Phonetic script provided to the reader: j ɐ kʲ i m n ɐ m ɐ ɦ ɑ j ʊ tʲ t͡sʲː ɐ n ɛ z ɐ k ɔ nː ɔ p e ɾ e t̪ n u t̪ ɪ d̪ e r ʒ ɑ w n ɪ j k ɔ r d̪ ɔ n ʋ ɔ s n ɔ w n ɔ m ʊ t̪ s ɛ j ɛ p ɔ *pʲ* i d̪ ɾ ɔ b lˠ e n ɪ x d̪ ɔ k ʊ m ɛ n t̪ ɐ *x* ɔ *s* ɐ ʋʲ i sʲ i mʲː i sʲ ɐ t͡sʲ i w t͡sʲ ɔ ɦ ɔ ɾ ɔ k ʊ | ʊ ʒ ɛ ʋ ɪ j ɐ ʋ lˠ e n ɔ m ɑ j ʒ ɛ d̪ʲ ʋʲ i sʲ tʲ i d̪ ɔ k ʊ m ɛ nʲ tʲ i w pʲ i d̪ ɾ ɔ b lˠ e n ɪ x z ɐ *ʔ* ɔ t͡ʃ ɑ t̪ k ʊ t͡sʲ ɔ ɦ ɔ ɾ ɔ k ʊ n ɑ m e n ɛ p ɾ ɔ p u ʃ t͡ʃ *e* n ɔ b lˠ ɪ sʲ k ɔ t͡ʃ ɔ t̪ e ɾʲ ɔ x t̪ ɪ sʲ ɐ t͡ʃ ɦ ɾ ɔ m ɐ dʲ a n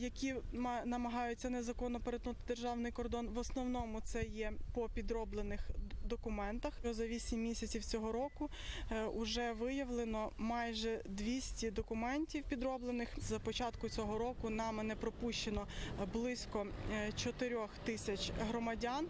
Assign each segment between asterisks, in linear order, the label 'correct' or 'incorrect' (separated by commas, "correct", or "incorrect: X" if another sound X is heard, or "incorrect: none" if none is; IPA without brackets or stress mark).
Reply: correct, correct, incorrect: z, incorrect: p, correct